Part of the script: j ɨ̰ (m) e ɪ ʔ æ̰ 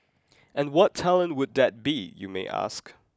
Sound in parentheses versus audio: correct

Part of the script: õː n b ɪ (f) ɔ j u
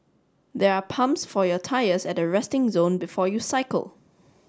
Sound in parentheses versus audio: correct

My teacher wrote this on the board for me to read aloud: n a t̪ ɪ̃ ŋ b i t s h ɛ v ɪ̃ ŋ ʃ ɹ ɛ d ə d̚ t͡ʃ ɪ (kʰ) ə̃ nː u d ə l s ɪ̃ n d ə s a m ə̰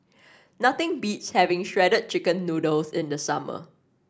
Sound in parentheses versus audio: incorrect: k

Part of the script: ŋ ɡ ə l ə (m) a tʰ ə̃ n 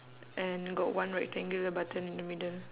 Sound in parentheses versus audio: incorrect: b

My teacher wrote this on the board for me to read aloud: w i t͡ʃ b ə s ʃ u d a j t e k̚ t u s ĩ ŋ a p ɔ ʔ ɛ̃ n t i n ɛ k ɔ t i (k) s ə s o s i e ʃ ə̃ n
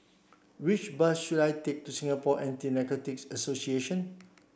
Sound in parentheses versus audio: correct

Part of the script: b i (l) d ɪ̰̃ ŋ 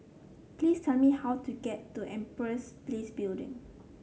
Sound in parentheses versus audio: correct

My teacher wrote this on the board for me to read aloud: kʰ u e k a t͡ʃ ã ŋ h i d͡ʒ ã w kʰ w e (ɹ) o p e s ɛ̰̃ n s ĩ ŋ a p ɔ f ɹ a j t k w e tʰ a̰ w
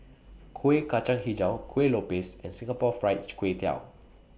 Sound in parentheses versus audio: incorrect: l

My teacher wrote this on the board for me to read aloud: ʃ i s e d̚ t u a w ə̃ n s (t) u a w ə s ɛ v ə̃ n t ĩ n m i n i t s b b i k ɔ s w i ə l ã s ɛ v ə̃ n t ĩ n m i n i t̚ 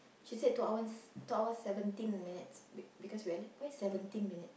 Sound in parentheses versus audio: correct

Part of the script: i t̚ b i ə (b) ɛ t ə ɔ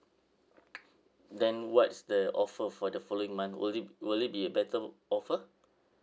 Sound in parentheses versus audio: correct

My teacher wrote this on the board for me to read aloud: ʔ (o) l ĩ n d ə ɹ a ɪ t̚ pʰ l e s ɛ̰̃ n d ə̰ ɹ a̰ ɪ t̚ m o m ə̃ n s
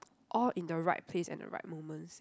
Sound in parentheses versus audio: incorrect: ɔ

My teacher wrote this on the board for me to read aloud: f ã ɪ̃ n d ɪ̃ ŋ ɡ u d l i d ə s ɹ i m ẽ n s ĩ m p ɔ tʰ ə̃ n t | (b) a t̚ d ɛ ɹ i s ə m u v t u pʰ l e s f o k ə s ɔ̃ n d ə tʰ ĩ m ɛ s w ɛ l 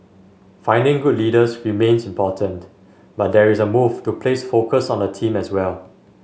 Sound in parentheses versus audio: correct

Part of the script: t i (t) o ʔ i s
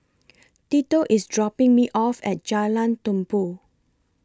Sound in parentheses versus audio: correct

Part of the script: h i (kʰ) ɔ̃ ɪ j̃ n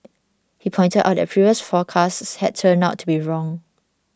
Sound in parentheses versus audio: incorrect: pʰ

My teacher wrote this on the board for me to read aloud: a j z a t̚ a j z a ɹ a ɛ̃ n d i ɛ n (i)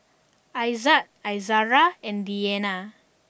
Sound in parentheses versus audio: incorrect: a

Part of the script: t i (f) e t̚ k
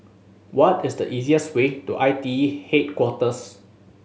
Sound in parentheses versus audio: incorrect: h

